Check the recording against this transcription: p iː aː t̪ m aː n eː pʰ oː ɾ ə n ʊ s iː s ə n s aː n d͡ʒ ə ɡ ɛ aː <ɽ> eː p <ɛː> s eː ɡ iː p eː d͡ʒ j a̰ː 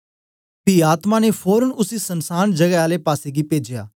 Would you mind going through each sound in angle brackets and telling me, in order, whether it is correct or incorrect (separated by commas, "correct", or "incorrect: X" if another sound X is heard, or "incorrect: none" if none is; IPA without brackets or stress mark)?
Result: incorrect: l, incorrect: aː